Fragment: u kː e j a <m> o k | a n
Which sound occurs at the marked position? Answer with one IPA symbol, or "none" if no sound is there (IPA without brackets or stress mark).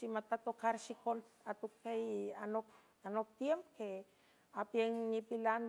n